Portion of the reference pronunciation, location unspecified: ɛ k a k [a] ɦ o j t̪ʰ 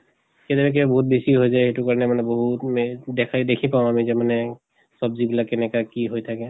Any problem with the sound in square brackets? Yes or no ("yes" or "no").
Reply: yes